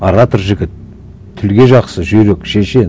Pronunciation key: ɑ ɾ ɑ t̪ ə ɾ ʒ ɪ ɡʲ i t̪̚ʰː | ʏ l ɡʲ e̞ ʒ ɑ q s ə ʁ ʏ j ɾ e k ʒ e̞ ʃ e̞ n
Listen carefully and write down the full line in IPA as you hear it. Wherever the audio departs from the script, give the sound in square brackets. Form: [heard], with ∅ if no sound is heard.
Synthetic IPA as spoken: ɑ ɾ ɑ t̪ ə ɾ ʒ ɪ ɡʲ [ɪ] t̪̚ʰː | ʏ l ɡʲ e̞ ʒ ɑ q s ə [ʒ] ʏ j ɾ e k [ʃ] e̞ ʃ e̞ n